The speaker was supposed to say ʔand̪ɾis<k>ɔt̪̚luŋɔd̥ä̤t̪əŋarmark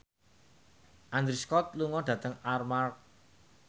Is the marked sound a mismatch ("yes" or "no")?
no